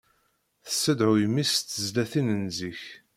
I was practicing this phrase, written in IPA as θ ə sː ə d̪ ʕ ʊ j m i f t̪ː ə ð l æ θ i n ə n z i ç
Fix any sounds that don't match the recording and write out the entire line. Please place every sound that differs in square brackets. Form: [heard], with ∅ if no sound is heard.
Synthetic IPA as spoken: θ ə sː ə d̪ ʕ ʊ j m i [s] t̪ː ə [z] l æ θ i n ə n z i ç